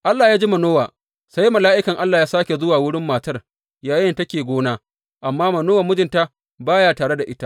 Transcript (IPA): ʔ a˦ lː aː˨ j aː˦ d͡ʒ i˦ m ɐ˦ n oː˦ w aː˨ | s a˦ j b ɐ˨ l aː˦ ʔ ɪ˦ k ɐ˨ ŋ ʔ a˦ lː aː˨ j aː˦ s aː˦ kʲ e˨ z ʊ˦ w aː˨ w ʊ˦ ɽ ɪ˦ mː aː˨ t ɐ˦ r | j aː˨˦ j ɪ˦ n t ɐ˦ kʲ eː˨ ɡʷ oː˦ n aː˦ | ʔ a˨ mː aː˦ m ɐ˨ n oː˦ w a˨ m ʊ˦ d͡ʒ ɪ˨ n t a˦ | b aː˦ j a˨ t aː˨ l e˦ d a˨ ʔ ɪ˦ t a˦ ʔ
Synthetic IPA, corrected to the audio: ʔ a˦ lː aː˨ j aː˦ d͡ʒ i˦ m ɐ˨ n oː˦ w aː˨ | s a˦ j m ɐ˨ l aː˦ ʔ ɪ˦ k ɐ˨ ŋ ʔ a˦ lː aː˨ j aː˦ s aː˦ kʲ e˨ z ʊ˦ w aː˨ w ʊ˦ ɽ ɪ˦ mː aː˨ t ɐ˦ r | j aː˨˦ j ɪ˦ n t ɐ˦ kʲ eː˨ ɡʷ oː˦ n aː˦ | ʔ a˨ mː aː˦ m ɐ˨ n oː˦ w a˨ m ʊ˦ d͡ʒ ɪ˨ n t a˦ | b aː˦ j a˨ t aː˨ ɽ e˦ d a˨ ʔ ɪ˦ t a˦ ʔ